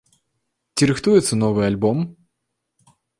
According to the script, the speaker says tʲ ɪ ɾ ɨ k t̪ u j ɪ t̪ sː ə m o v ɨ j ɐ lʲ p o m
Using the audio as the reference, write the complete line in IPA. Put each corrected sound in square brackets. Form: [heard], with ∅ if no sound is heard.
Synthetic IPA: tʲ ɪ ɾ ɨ [x] t̪ u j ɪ t̪ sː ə [n] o v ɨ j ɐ lʲ [b] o m